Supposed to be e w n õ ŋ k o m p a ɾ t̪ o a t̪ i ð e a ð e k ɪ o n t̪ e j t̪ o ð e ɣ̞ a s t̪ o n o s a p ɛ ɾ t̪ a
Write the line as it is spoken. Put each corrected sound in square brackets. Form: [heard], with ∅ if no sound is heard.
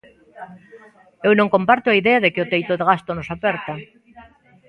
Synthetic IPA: e w n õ ŋ k o m p a ɾ t̪ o a [∅] i ð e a ð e k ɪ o [∅] t̪ e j t̪ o ð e ɣ̞ a s t̪ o n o s a p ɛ ɾ t̪ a